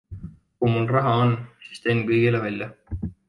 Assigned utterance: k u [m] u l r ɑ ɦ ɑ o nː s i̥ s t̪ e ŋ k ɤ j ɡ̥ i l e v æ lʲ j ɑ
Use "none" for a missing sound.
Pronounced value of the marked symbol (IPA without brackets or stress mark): m